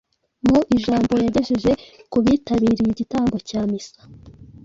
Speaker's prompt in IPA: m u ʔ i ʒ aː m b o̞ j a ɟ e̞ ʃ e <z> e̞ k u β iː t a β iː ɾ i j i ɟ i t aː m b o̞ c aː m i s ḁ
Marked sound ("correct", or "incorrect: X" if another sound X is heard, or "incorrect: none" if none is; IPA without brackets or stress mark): incorrect: ʒ